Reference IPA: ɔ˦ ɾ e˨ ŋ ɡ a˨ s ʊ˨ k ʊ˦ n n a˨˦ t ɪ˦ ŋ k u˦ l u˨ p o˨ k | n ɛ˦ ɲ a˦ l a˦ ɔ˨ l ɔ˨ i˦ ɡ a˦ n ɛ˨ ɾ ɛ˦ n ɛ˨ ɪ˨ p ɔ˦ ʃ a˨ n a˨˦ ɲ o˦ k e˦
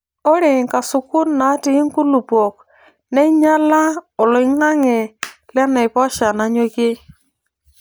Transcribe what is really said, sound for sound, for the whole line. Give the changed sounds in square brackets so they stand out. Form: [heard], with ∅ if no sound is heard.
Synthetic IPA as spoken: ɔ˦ ɾ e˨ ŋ [k] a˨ s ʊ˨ k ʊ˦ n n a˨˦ t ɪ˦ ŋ k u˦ l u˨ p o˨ k | n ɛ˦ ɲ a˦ l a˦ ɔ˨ l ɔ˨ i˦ [ŋ] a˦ [ŋ] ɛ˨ [l] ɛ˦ n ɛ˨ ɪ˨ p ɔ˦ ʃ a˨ n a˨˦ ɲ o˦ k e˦

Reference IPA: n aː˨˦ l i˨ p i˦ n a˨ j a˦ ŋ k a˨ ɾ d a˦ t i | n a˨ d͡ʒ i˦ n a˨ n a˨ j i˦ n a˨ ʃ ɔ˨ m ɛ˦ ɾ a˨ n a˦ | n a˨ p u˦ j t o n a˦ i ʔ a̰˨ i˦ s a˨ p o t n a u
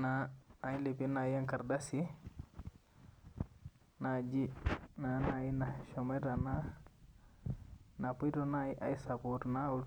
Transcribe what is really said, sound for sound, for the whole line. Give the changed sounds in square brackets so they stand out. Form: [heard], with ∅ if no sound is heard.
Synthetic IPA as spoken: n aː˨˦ l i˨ p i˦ n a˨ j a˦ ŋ k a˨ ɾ d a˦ [s] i | n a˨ d͡ʒ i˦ n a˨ n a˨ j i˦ n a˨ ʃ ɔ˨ m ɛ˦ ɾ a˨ n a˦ | n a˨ p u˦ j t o n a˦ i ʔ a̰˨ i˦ s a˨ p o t n a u

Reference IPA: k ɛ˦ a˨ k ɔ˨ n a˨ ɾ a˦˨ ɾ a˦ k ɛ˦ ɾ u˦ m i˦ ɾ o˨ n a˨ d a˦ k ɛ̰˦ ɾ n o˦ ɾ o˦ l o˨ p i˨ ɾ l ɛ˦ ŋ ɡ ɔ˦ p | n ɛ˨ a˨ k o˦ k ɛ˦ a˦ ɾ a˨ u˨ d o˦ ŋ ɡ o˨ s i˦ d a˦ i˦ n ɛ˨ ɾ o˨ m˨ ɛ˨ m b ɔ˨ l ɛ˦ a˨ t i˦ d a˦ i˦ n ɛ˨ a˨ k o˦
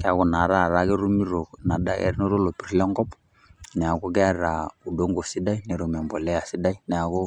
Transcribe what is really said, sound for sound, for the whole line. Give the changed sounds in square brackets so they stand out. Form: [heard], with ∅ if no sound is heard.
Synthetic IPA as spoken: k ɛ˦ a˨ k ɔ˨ n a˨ ɾ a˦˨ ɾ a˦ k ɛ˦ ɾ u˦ m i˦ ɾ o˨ n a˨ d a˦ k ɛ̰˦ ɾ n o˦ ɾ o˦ l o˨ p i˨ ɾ l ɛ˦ ŋ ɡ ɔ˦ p | n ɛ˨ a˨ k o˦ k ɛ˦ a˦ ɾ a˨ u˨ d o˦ ŋ ɡ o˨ s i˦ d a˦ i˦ n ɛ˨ ɾ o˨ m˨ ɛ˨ m b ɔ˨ l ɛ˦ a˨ [s] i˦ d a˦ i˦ n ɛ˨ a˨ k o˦

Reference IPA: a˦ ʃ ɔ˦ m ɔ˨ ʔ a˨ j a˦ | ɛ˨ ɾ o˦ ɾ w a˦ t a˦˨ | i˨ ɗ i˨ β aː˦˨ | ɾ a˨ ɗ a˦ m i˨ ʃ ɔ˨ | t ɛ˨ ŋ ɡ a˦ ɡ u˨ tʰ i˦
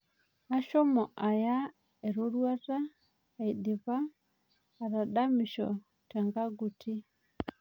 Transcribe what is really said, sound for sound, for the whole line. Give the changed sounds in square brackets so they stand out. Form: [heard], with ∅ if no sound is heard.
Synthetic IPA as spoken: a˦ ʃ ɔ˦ m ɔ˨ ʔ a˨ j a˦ | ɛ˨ ɾ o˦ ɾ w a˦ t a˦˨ | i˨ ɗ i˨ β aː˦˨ | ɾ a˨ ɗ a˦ m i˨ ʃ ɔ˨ | t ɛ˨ ŋ ɡ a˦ ɡ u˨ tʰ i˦

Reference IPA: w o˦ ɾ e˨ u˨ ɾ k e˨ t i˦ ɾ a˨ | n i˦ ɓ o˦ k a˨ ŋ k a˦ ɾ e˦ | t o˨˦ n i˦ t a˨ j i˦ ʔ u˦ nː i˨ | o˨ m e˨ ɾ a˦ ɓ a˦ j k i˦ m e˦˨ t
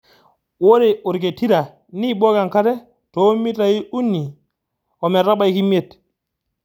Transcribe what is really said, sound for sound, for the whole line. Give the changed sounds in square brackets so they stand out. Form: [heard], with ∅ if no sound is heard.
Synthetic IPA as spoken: w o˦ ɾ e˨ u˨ ɾ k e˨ t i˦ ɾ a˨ | n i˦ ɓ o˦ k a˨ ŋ k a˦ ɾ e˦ | t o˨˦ [m] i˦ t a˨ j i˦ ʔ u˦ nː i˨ | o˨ m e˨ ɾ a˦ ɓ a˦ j k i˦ m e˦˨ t

